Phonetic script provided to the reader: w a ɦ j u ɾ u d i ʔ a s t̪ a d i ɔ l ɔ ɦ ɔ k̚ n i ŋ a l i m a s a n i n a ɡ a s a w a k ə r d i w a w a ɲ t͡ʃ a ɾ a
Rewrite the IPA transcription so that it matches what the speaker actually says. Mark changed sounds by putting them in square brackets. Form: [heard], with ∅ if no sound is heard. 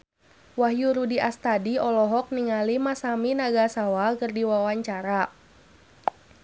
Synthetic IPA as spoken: w a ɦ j u ɾ u d i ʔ a s t̪ a d i ɔ l ɔ ɦ ɔ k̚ n i ŋ a l i m a s a [m] i n a ɡ a s a w a k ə r d i w a w a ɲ t͡ʃ a ɾ a